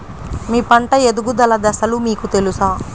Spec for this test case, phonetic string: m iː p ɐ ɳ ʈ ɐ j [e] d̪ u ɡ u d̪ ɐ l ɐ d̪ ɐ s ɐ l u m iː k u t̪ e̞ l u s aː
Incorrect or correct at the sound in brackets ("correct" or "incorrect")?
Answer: correct